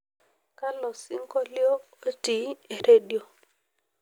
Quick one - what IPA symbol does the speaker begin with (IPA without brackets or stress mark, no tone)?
k